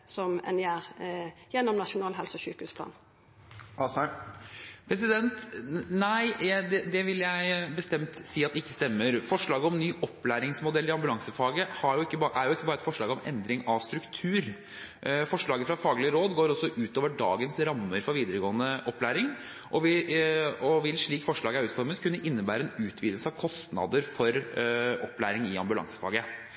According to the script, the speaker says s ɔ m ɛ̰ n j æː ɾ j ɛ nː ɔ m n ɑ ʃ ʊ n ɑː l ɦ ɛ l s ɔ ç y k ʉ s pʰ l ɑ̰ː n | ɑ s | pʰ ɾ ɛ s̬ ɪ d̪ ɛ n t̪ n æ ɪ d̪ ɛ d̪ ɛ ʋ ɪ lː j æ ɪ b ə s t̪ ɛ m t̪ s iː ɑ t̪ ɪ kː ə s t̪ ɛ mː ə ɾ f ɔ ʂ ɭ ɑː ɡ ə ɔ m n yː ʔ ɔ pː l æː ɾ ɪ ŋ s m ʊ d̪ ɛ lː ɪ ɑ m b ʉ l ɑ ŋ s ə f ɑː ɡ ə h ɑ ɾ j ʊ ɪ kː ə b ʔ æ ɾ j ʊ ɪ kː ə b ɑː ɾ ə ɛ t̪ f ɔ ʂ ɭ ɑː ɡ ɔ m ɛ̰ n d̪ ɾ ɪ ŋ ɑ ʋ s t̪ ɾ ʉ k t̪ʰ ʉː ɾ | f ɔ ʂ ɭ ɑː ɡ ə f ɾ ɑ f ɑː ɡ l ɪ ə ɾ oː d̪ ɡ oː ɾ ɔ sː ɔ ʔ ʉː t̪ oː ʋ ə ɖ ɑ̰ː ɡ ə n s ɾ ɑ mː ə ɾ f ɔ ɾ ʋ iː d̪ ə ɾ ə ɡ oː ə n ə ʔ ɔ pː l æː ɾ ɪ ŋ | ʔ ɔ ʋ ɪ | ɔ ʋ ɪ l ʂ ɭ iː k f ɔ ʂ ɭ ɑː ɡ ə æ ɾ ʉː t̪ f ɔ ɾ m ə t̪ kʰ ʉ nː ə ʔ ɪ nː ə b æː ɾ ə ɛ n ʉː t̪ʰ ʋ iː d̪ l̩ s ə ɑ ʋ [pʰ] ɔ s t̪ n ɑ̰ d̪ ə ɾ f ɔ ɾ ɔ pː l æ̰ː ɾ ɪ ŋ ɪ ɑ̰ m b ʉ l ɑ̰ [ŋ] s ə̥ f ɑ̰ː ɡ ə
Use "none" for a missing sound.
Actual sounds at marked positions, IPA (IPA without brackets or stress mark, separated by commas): kʰ, ŋ